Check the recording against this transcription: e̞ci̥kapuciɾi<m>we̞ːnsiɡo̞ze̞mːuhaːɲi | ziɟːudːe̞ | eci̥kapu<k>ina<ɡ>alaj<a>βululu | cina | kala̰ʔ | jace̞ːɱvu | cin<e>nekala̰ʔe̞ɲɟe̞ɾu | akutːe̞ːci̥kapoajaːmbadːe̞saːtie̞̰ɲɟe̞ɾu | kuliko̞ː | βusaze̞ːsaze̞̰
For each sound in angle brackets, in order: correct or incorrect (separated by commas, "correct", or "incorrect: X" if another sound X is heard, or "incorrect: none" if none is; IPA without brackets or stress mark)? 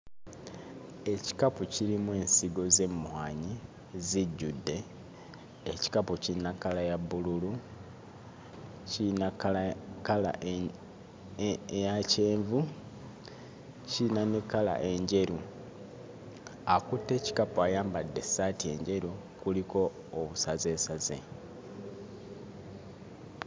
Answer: correct, incorrect: c, incorrect: k, correct, incorrect: a